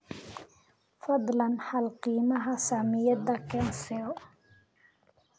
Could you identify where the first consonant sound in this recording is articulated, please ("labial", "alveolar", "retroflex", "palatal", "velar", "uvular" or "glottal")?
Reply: labial